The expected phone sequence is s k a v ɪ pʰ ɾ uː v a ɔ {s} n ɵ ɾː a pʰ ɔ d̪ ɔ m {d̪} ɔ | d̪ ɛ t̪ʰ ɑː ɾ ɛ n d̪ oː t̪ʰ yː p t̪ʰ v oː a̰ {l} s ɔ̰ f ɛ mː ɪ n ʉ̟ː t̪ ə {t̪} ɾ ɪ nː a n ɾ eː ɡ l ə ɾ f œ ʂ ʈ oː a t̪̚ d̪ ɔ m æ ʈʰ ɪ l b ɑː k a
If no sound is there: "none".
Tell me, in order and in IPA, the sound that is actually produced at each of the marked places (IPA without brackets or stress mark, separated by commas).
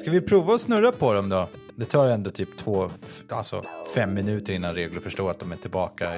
s, d̪, l, none